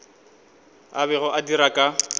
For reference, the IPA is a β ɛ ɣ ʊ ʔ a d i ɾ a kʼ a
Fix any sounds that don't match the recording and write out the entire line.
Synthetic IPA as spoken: a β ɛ ɣ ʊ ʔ a d i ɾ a kʼ a